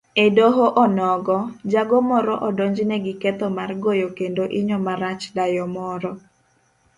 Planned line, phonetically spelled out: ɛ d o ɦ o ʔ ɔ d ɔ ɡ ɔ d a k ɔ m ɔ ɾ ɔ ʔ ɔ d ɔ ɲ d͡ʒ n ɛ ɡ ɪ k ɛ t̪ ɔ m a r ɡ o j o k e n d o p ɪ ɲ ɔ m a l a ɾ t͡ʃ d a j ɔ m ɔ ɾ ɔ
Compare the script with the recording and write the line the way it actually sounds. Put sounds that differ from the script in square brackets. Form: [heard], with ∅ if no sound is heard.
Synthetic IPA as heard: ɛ d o ɦ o ʔ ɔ [n] ɔ ɡ ɔ [d͡ʒ] a [ɡ] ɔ m ɔ ɾ ɔ ʔ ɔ d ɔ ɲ d͡ʒ n ɛ ɡ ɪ k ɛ t̪ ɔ m a r ɡ o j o k e n d o [ʔ] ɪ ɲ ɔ m a [ɾ] a [∅] t͡ʃ d a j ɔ m ɔ ɾ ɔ